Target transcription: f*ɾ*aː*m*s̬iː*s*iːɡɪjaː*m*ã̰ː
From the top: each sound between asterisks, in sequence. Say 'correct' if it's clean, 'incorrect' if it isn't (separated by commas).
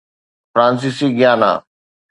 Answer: correct, incorrect, correct, incorrect